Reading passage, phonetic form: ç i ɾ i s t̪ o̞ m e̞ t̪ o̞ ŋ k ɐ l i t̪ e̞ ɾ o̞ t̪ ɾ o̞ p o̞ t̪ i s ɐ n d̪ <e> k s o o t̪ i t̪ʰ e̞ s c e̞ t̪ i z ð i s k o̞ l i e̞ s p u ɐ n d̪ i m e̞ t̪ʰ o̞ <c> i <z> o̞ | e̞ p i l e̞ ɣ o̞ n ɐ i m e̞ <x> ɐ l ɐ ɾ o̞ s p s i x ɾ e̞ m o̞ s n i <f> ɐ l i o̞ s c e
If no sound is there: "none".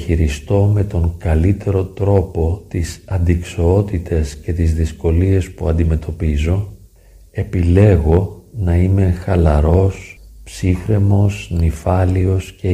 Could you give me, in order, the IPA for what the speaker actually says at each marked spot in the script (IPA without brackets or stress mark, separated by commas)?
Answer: i, p, z, x, f